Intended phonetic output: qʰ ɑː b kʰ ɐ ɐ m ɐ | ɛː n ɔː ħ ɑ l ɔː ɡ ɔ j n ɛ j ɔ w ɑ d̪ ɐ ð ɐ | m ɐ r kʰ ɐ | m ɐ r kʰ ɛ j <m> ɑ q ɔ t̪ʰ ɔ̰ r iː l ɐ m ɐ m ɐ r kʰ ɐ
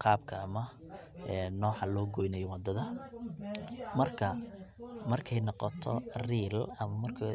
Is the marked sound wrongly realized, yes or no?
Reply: yes